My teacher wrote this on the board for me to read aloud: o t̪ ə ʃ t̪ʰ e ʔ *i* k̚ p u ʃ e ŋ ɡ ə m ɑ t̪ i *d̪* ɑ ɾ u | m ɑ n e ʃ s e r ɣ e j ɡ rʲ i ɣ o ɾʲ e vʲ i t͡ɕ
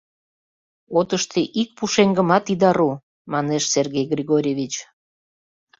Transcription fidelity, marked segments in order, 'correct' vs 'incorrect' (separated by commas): correct, correct